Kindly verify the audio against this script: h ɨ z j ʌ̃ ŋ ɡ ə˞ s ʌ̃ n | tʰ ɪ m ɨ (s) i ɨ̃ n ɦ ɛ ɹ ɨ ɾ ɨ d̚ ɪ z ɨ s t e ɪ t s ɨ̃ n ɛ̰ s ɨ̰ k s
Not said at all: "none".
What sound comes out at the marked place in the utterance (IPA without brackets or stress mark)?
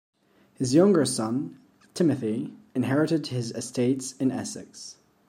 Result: θ